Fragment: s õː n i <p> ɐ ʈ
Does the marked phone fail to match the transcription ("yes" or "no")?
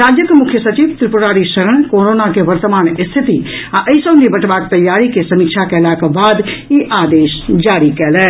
yes